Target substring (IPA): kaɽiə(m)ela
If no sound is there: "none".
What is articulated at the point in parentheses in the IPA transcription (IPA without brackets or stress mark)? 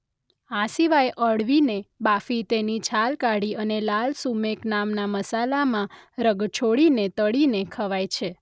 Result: n